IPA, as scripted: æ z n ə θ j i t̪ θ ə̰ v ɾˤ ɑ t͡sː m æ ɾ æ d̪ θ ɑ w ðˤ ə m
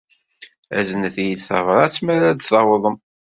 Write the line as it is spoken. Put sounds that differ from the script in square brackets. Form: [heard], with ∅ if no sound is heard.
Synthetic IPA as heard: æ z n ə θ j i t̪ θ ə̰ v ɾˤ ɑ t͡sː m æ ɾ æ d̪ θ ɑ w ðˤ ə m